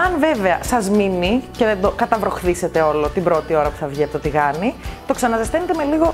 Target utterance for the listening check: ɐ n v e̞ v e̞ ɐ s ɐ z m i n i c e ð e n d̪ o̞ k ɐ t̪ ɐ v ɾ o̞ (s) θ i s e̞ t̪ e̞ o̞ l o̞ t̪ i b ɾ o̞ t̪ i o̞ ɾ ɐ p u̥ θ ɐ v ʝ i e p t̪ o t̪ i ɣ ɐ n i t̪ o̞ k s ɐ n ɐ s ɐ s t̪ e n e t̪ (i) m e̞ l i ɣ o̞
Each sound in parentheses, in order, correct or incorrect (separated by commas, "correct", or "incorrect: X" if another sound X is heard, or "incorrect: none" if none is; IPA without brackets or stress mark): incorrect: x, incorrect: e